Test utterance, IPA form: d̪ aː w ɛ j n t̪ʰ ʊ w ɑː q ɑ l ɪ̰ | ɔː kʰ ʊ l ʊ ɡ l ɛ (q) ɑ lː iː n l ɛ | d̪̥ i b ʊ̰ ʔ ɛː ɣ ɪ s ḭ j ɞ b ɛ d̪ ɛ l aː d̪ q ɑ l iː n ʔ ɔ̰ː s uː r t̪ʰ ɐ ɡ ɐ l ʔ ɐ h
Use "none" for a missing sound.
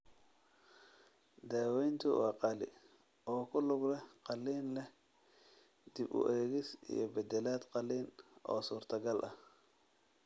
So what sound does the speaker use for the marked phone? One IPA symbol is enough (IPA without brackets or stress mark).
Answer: q